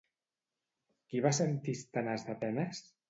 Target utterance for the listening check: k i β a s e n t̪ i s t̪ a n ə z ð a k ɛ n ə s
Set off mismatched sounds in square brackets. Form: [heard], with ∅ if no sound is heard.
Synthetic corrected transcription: k i β a s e n t̪ i s t̪ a n [a] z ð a [p] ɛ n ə s